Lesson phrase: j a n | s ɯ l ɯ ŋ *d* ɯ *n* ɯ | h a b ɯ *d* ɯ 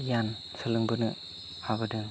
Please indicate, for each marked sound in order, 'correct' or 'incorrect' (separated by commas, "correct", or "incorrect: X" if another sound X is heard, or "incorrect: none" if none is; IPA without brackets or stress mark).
incorrect: b, correct, correct